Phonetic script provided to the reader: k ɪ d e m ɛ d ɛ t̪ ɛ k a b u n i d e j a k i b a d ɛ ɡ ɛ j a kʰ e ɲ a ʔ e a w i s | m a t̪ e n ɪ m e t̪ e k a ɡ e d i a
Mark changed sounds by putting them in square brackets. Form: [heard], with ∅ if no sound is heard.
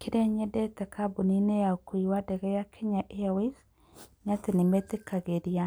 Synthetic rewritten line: k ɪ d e [ɲ] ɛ d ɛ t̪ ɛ k a b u n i [n] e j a k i [w] a d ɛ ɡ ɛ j a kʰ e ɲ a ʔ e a w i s | [ɲ] a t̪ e n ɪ m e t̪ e k a ɡ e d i a